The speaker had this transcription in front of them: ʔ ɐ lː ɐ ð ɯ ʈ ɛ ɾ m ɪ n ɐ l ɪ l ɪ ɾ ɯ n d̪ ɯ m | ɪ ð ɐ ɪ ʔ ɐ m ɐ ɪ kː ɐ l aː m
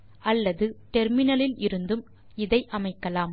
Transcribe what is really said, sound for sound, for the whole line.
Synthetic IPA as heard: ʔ ɐ lː ɐ ð ɯ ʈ ɛ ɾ m ɪ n ɐ l ɪ l ɪ ɾ ɯ n d̪ ɯ m | ɪ ð ɐ ɪ ʔ ɐ m ɐ ɪ kː ɐ l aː m